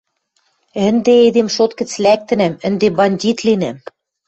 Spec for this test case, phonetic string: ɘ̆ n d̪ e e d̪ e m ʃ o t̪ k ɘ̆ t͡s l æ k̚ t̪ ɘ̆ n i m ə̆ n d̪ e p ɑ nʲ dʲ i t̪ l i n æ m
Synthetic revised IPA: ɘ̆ n d̪ e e d̪ e m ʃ o t̪ k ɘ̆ t͡s l æ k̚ t̪ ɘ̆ n æ m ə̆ n d̪ e b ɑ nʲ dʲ i t̪ l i n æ m